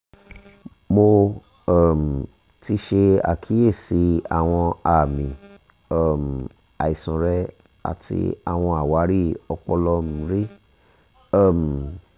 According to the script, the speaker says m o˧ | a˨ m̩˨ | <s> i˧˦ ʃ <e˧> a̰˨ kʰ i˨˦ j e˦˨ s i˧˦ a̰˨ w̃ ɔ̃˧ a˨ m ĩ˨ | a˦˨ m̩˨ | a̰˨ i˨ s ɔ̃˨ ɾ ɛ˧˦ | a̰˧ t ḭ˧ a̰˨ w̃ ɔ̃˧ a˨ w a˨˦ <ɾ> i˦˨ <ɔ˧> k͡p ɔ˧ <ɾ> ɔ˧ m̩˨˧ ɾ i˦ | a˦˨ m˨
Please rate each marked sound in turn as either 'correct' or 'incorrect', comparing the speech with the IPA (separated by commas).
incorrect, correct, correct, correct, incorrect